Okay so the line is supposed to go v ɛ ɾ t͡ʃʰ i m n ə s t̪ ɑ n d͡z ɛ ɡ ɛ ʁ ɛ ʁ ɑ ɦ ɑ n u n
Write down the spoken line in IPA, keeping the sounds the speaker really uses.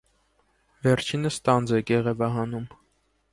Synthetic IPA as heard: v ɛ ɾ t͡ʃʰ i n ə s t̪ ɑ n d͡z ɛ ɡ ɛ ʁ ɛ v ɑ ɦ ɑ n u m